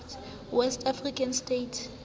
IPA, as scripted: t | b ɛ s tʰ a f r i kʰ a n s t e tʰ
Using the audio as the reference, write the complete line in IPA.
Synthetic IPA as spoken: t | w ɛ s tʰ a f r i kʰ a n s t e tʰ